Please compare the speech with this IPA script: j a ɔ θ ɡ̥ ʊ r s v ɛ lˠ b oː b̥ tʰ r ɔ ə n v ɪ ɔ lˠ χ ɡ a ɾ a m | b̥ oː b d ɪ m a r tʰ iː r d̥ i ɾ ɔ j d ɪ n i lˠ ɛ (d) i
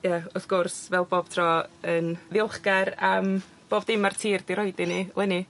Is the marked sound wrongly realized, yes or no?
yes